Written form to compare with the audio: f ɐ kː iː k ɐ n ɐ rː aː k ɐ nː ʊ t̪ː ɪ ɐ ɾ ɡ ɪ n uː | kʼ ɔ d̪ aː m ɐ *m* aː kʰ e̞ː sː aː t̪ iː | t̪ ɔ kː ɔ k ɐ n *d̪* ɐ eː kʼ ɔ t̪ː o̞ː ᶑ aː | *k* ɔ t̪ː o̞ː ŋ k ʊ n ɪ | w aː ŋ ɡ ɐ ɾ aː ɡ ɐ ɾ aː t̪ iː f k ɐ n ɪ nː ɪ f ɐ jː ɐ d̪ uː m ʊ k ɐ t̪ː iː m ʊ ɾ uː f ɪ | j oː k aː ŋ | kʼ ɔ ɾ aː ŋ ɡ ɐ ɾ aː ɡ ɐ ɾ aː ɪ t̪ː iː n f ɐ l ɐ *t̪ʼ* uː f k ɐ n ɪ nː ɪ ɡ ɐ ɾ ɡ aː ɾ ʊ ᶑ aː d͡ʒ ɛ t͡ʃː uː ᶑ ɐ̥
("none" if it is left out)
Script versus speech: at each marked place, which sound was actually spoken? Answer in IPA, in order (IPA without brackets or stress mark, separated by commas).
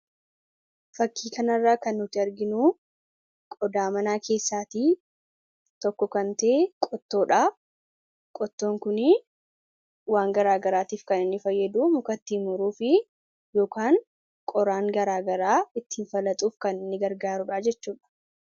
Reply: n, t̪, kʼ, t̪ʼ